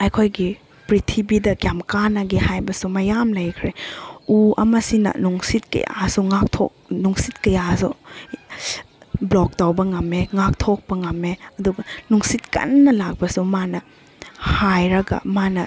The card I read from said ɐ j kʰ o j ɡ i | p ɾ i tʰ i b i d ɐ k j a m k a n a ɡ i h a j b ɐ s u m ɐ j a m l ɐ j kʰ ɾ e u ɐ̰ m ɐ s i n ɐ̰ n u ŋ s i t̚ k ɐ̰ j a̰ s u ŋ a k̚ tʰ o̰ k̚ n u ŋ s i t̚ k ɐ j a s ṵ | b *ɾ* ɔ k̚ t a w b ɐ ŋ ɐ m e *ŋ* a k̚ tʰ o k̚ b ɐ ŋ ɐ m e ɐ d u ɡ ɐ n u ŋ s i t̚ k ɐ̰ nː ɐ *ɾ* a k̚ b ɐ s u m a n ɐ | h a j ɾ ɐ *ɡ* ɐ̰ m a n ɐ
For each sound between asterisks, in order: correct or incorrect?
incorrect, correct, incorrect, correct

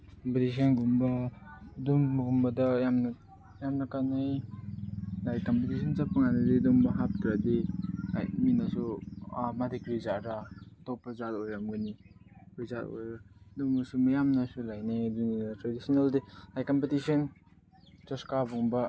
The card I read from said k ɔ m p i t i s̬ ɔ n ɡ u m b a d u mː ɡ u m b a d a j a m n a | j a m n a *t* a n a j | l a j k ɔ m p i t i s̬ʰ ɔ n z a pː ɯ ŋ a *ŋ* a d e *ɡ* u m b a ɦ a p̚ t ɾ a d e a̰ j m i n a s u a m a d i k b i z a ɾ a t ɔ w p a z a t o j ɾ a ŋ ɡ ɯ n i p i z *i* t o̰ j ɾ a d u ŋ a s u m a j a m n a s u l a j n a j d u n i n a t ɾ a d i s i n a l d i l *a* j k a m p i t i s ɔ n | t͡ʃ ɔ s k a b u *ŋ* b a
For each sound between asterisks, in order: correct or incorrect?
incorrect, incorrect, incorrect, incorrect, correct, correct

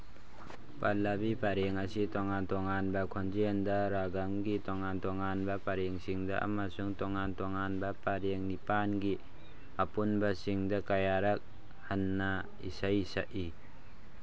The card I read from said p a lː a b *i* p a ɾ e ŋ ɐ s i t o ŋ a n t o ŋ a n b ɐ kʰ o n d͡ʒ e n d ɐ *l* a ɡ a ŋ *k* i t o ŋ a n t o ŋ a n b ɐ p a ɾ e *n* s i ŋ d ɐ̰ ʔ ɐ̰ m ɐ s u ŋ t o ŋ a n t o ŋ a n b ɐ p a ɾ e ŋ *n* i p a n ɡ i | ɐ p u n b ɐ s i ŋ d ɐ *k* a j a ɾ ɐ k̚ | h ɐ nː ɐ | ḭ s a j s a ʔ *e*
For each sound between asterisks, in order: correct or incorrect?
correct, incorrect, incorrect, incorrect, correct, correct, incorrect

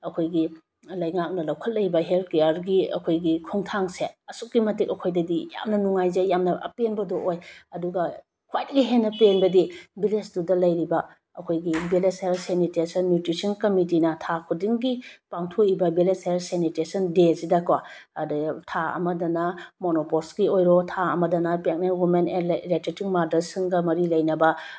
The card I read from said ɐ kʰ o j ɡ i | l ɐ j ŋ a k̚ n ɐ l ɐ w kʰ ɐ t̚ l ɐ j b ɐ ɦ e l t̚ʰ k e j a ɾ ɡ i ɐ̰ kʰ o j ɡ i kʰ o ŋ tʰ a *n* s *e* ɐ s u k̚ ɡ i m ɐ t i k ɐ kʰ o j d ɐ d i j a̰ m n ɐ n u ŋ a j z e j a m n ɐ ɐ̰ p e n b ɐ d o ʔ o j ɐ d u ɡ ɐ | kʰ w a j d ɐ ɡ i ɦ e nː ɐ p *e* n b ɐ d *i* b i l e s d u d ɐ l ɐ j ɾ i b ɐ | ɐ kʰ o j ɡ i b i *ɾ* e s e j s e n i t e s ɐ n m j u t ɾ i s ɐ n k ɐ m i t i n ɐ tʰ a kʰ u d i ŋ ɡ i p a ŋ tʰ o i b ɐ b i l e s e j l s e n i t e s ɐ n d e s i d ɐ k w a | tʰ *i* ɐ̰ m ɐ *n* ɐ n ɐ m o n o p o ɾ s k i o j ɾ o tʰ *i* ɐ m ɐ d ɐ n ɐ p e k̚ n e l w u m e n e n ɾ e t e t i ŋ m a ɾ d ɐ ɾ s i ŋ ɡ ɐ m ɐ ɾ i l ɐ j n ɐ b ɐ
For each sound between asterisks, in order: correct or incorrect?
incorrect, correct, correct, correct, incorrect, incorrect, incorrect, incorrect

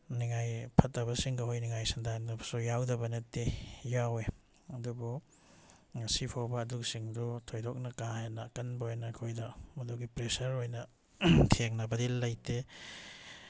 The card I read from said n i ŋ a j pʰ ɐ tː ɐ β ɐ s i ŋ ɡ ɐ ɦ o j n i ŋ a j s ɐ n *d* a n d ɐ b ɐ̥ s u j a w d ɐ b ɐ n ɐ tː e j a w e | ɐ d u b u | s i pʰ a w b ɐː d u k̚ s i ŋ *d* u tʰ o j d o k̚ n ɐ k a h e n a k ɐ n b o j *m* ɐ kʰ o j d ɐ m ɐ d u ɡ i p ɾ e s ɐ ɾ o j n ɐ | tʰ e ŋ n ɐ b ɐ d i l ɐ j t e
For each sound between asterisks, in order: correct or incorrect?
correct, correct, incorrect

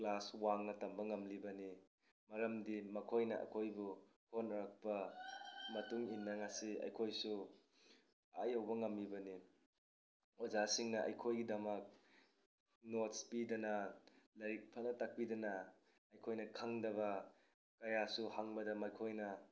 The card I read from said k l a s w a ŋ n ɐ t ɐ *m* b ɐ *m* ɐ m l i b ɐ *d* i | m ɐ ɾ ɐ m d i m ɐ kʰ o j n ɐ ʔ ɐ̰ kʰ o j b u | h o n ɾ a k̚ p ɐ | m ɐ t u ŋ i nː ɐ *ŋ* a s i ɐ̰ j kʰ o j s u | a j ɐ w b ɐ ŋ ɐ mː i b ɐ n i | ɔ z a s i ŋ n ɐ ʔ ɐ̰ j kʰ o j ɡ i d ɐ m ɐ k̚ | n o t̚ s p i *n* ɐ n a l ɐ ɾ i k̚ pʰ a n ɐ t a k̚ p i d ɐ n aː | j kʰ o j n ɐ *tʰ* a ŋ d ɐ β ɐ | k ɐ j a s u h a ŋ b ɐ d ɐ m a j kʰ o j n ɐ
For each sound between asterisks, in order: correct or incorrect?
correct, incorrect, incorrect, correct, incorrect, incorrect

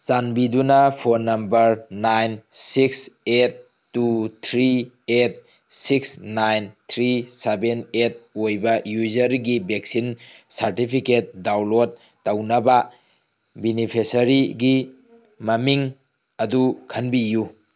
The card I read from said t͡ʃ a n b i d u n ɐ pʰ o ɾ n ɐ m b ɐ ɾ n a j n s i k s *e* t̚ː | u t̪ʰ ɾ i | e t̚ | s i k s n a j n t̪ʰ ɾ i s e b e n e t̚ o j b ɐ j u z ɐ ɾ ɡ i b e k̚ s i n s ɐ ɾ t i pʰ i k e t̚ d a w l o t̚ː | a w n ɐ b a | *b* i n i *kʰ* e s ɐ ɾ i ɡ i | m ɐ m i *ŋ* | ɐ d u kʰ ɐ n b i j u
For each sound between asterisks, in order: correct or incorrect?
correct, correct, incorrect, correct

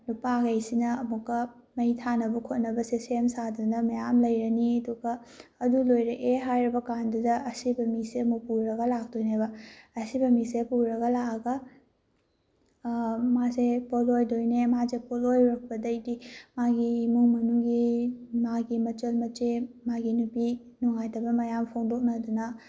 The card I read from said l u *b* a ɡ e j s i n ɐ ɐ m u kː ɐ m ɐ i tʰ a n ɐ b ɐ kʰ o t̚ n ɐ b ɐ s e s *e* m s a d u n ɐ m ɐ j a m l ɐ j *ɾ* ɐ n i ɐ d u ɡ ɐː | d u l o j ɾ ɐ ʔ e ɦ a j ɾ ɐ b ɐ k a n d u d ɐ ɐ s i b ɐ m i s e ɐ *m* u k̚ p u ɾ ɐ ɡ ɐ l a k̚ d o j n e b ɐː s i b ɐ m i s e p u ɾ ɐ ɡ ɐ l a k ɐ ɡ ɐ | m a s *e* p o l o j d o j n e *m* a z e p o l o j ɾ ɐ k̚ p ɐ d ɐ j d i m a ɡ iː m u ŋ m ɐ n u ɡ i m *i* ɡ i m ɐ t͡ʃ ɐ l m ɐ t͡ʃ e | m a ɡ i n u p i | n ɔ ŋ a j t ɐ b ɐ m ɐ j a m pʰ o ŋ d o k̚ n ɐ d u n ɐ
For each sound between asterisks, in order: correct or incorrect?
incorrect, correct, correct, correct, correct, correct, incorrect

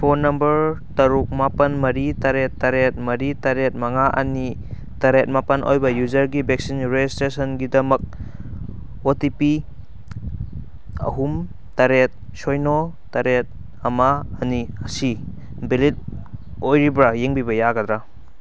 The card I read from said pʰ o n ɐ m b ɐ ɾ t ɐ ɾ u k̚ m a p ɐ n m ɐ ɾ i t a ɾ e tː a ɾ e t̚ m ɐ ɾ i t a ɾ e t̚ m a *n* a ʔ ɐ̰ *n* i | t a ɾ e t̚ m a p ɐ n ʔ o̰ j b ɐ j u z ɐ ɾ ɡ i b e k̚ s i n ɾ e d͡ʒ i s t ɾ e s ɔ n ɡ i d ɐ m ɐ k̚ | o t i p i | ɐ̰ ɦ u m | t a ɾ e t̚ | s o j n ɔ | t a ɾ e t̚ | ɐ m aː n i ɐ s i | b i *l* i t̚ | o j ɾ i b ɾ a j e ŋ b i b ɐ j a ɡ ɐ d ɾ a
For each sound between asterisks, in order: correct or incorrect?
incorrect, correct, correct

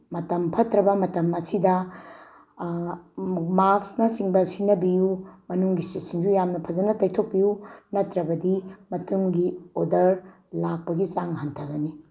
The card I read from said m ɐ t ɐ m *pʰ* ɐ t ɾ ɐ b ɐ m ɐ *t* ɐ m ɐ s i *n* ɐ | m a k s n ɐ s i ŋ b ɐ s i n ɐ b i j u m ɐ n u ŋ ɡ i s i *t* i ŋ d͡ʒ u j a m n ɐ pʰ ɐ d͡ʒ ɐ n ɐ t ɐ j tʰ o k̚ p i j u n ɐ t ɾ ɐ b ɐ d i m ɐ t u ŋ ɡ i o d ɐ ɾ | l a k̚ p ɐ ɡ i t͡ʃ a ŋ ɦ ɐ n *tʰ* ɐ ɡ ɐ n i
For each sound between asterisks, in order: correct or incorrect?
correct, correct, incorrect, incorrect, correct

